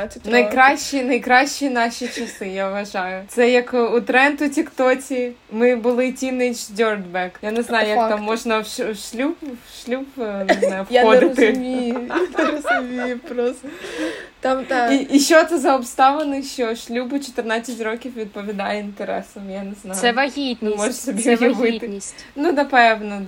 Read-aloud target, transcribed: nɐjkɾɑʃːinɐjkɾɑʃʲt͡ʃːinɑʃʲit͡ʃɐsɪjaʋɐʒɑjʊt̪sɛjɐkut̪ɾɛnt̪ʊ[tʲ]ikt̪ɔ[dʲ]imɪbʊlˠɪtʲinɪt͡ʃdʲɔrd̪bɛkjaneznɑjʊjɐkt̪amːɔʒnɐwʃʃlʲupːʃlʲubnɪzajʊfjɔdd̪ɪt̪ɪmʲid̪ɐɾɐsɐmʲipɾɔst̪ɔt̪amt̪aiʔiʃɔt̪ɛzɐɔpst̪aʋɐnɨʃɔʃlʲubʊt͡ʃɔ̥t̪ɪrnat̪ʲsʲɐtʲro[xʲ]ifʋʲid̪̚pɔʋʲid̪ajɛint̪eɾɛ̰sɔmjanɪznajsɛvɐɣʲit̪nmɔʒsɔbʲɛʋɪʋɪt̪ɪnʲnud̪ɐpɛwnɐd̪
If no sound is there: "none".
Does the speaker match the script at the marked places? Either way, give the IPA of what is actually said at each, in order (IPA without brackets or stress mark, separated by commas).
tʲ, tʲ, kʲ